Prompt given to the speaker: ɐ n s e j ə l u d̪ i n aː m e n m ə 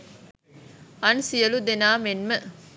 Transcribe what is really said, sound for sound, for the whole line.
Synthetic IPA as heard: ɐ n s i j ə l u d̪ e n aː m e n m ə

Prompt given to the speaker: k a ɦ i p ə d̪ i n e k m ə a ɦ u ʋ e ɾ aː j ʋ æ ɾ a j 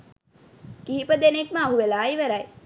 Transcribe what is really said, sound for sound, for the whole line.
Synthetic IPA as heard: k i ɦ i p ə d̪ e n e k m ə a ɦ u ʋ e l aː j ʋ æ ɾ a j

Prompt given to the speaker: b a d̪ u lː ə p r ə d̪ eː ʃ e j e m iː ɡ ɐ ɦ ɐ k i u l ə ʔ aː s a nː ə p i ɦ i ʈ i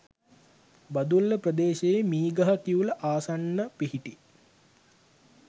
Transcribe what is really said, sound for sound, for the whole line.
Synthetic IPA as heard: b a d̪ u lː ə p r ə d̪ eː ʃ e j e m iː ɡ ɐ ɦ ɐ k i u l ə ʔ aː s a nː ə p i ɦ i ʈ i

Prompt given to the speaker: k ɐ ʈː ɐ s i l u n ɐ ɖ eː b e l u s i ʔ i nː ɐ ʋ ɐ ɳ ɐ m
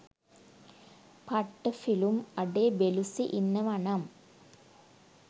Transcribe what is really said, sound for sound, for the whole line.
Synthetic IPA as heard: p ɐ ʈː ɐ f i l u m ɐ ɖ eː b e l u s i ʔ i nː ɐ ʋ ɐ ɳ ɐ m

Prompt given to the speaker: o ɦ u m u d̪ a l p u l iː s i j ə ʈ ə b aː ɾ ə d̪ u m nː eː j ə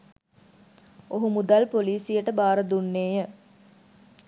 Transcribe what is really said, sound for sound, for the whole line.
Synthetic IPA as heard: o ɦ u m u d̪ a l p o l iː s i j ə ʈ ə b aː ɾ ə d̪ u nː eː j ə

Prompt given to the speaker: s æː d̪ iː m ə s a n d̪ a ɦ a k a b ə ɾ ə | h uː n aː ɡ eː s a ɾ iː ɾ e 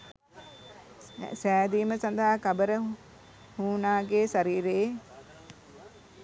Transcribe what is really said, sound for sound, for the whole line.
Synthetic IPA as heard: s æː d̪ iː m ə s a n d̪ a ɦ a k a b ə ɾ ə | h uː n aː ɡ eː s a ɾ iː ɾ e

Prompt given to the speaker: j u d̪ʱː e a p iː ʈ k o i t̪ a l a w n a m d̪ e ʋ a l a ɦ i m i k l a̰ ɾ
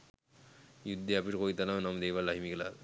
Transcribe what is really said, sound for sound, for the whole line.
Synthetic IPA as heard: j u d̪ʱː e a p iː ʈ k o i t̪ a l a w n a m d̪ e ʋ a l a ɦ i m i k l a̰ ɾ

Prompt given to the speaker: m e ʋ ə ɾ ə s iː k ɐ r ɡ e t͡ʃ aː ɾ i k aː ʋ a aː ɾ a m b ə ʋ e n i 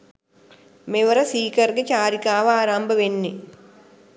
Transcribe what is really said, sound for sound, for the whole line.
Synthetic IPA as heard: m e ʋ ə ɾ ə s iː k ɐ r ɡ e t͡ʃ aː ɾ i k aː ʋ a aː ɾ a m b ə ʋ e nː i

